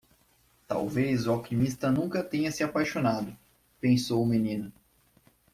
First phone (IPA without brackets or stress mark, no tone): t̪